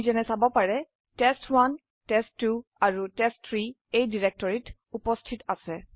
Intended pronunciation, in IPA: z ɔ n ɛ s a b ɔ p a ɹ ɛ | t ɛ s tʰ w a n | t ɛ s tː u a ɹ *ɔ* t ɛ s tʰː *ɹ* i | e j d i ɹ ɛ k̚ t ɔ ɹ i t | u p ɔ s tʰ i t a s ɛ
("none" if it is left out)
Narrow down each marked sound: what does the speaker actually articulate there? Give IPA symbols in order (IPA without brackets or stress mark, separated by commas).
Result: u, ɹ